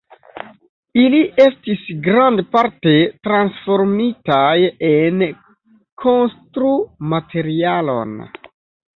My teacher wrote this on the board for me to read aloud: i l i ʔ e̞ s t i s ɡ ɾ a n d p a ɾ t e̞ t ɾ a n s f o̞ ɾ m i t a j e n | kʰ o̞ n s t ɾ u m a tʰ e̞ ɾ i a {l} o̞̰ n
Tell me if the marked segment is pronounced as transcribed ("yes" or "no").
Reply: yes